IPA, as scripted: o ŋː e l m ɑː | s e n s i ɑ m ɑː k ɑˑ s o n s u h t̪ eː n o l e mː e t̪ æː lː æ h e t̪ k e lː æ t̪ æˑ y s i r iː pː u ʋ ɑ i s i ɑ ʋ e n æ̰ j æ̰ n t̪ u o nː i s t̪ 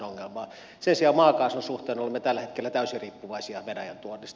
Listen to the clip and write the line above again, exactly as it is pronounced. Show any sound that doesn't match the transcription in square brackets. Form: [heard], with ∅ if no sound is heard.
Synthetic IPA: o ŋː e l m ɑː | s e n s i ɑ m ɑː k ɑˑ s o n s u h t̪ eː n o l e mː e t̪ [æ] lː æ h e t̪ k e lː æ t̪ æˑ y s i r iː pː u ʋ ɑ i s i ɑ ʋ e n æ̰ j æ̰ n t̪ u o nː i s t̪